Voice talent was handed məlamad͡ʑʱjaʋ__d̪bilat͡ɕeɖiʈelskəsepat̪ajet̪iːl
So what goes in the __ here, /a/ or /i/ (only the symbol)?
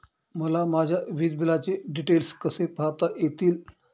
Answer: i